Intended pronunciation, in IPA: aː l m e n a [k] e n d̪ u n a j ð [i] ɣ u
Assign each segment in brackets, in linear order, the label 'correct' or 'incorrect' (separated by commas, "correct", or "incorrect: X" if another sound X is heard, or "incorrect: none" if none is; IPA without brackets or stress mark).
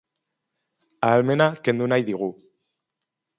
correct, correct